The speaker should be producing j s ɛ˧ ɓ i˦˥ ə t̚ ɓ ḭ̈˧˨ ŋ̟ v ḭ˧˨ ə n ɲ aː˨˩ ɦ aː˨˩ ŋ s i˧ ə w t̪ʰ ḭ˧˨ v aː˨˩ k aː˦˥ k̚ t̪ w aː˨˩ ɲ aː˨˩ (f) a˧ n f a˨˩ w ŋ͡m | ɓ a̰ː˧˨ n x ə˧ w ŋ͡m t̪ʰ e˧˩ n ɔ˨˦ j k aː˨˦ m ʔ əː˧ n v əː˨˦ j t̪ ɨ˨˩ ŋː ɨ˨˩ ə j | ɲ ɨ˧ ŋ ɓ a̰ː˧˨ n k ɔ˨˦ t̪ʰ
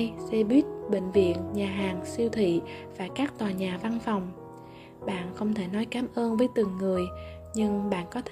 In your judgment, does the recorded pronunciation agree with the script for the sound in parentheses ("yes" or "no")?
no